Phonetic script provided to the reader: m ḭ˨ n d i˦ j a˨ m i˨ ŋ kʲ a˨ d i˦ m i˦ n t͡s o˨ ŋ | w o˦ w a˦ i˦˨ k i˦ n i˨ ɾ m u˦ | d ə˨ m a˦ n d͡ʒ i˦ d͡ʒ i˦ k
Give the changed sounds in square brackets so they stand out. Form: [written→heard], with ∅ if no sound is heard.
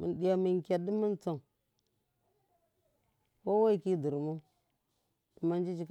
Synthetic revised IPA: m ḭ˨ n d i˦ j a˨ m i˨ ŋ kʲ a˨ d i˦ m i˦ n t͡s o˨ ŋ | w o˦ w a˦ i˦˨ k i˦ [n→d] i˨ ɾ m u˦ | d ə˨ m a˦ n d͡ʒ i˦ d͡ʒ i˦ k